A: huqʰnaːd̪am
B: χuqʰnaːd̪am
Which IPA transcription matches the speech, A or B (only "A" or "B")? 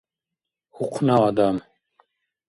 A